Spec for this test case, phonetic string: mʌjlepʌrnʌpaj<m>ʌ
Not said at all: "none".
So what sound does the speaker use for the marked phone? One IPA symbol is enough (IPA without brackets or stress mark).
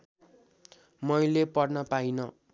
n